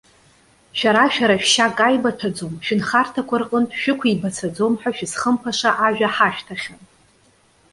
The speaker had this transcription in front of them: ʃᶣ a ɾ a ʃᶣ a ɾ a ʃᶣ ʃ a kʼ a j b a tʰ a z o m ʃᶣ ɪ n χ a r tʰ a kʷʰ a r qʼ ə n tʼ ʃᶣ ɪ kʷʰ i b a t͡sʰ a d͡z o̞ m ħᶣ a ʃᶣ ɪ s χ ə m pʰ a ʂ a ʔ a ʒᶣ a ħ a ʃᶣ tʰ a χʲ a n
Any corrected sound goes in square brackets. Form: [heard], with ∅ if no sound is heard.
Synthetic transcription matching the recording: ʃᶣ a ɾ a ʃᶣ a ɾ a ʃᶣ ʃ a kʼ a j b a tʰ a [d͡z] o m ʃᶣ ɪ n χ a r tʰ a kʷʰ a r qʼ ə n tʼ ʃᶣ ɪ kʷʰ i b a t͡sʰ a d͡z o̞ m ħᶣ a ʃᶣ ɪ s χ ə m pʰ a ʂ a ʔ a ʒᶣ a ħ a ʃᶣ tʰ a χʲ a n